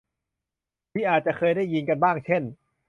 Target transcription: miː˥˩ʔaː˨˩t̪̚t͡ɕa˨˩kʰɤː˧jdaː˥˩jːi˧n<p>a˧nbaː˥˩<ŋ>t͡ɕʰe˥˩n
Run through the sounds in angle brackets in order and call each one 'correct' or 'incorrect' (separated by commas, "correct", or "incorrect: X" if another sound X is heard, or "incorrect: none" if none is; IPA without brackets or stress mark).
incorrect: k, correct